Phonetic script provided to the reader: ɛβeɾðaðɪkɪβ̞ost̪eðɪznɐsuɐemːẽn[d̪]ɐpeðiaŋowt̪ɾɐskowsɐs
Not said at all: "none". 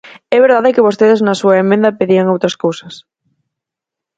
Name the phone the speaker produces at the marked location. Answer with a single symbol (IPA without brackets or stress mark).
d̪